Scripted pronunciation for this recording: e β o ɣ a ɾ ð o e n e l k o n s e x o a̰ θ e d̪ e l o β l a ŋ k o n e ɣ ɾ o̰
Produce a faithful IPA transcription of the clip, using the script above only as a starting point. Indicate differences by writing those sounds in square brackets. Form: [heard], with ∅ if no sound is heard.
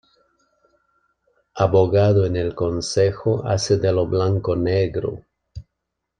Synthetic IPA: [a] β o ɣ a [∅] ð o e n e l k o n s e x o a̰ [s] e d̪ e l o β l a ŋ k o n e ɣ ɾ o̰